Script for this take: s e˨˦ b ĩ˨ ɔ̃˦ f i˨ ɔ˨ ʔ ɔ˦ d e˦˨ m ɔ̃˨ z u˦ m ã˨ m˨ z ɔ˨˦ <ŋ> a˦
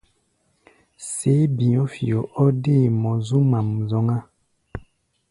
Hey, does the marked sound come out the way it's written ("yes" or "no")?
yes